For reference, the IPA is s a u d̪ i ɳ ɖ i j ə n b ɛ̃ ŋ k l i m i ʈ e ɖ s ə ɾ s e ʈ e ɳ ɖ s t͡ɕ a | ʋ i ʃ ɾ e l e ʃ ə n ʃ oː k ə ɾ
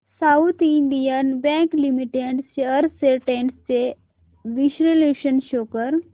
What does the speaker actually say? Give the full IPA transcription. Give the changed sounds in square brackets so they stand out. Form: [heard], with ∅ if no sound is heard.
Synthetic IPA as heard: s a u [t̪] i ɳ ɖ i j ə n b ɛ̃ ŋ k l i m i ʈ e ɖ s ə ɾ s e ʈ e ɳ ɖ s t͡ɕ [e] | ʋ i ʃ ɾ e l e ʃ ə n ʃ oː k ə ɾ